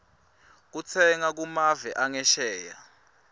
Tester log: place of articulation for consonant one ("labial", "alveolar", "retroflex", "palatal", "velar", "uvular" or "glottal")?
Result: velar